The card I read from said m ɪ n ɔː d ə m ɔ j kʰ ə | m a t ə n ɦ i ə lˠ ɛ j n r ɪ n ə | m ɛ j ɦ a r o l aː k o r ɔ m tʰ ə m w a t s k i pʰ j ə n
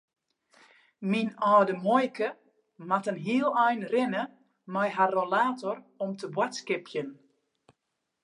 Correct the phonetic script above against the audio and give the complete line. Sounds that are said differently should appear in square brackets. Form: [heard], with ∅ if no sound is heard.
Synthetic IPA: m [i] n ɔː d ə m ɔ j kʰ ə | m a t ə n ɦ i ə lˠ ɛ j n r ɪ n ə | m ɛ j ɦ a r o l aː [t] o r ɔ m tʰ ə [b] w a t s k [ɪ] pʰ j ə n